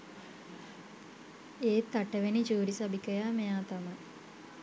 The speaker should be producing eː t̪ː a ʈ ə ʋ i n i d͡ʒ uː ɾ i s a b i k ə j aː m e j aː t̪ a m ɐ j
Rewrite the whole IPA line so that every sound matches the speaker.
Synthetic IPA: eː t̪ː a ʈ ə ʋ e n i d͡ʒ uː ɾ i s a b i k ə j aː m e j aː t̪ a m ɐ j